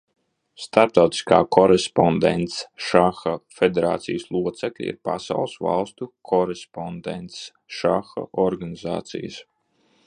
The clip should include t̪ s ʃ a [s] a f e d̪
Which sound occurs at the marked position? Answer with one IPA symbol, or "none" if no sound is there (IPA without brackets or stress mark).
x